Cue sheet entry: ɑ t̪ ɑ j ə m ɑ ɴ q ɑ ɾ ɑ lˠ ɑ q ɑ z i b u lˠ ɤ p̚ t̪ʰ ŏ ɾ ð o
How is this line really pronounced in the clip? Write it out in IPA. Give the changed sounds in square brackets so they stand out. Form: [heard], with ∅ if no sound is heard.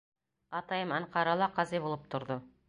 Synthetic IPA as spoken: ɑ t̪ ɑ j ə m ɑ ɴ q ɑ ɾ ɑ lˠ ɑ q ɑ z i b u lˠ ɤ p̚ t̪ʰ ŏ ɾ ð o